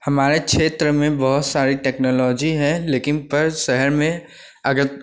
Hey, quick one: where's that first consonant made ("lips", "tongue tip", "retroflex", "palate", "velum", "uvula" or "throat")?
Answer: throat